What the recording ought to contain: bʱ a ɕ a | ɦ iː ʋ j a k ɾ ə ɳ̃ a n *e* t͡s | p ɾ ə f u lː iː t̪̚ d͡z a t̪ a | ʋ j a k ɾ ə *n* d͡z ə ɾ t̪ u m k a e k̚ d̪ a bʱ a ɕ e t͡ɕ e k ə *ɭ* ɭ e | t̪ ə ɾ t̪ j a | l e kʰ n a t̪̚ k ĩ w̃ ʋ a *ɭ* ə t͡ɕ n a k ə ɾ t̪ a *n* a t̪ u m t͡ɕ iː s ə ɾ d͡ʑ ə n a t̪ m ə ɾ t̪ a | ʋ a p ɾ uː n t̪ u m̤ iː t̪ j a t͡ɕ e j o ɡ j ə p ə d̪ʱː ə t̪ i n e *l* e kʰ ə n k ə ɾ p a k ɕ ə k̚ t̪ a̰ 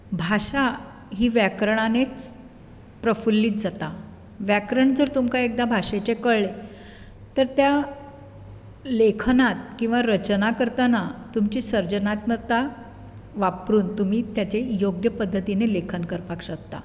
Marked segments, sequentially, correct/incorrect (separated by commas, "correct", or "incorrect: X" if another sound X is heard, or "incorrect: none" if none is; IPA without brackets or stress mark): correct, incorrect: ɳ, correct, incorrect: ɾ, correct, correct